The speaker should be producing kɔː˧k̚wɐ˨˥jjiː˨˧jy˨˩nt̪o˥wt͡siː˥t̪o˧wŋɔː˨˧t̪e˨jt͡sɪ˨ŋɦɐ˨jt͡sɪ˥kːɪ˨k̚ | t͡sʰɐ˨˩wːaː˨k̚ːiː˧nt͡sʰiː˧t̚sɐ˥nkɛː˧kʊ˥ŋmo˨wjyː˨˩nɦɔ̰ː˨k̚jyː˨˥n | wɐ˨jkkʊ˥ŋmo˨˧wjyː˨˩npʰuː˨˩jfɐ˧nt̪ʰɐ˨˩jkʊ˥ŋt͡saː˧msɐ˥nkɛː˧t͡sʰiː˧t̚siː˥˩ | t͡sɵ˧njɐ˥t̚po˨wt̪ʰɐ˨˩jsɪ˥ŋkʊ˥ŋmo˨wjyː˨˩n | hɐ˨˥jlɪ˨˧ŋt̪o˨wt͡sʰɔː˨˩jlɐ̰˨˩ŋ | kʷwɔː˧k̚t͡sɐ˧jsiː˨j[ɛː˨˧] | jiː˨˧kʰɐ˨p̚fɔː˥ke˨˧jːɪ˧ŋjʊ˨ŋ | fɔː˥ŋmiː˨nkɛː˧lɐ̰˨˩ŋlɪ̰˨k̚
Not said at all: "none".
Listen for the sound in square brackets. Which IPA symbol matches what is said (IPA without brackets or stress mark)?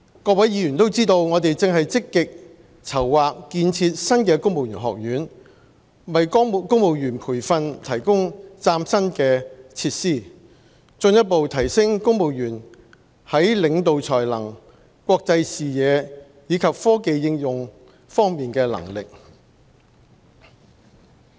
ɛː˨˧